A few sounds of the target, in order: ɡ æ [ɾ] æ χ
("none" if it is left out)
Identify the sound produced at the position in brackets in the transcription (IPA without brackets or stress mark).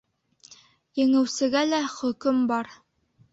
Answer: l